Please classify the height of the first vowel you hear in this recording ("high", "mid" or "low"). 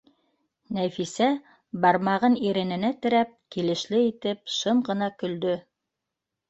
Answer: low